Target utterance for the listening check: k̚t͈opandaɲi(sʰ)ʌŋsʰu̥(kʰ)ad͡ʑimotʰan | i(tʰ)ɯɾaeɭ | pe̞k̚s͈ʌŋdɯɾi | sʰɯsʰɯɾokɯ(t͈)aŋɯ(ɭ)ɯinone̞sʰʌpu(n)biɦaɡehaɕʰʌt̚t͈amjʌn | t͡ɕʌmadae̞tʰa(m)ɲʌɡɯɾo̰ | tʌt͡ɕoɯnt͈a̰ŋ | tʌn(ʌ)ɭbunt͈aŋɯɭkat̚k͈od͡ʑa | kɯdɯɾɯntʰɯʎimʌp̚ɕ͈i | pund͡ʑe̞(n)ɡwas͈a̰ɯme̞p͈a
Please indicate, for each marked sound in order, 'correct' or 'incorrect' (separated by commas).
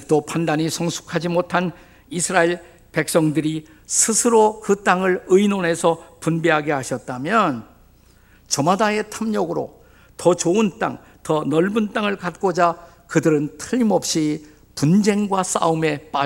correct, correct, incorrect, correct, correct, correct, correct, correct, incorrect